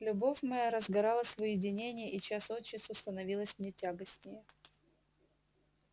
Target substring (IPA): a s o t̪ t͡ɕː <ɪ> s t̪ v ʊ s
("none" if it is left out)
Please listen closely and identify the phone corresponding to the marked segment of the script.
ɪ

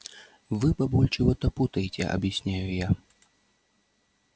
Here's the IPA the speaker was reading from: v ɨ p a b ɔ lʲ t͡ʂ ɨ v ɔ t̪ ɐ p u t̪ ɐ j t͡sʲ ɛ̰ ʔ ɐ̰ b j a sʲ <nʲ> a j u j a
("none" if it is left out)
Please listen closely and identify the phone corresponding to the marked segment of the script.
nʲ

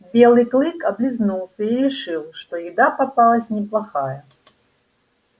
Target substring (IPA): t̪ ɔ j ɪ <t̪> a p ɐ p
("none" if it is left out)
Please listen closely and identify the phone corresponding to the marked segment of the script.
d̪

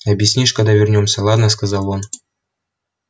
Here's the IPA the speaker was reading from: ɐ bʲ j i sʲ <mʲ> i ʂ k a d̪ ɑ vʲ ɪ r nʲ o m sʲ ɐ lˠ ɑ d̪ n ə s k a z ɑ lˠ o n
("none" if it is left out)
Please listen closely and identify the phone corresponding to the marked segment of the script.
nʲ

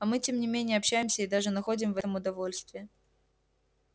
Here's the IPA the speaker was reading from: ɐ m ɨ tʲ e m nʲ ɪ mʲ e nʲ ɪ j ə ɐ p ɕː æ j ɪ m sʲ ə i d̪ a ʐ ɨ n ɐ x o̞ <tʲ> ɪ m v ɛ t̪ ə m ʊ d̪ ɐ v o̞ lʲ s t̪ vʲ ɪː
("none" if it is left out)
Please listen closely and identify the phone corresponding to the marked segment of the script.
dʲ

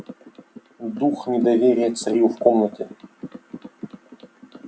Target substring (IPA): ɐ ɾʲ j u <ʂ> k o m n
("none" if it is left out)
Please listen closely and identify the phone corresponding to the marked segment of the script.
f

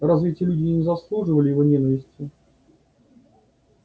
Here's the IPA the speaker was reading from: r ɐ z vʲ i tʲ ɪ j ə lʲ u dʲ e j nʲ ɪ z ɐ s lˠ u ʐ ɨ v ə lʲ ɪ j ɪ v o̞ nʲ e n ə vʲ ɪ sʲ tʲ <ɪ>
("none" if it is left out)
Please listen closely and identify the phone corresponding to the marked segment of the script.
ɪ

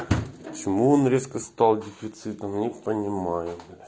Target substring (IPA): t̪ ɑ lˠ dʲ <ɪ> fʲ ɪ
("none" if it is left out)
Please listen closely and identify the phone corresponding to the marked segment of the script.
ɪ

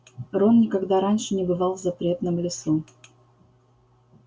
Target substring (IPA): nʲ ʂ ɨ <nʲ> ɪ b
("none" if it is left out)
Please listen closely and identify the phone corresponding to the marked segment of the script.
nʲ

